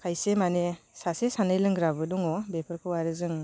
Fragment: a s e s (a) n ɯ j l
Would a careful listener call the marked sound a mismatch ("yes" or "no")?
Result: no